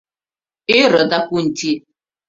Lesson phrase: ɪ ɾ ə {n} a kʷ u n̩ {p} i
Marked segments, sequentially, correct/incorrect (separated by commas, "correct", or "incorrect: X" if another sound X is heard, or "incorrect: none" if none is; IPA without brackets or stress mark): incorrect: d, incorrect: t